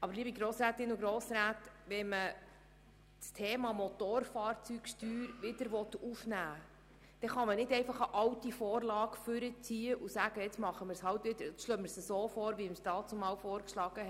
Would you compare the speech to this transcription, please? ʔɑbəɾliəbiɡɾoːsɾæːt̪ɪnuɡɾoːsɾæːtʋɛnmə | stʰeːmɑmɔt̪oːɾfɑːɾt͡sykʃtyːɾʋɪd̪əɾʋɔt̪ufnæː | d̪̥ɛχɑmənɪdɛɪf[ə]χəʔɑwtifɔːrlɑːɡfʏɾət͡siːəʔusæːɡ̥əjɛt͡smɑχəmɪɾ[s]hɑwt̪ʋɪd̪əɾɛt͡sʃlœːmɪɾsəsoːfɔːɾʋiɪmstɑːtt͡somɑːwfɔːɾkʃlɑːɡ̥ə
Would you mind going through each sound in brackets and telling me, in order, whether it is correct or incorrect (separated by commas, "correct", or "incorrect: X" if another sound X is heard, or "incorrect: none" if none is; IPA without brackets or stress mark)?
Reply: incorrect: ɑ, correct